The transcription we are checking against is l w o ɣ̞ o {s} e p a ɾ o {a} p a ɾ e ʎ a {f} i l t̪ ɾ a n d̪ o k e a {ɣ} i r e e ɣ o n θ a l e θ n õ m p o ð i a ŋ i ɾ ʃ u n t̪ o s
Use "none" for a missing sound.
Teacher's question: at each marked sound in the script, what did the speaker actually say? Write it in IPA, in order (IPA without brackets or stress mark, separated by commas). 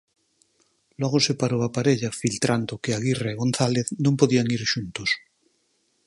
s, a, f, ɣ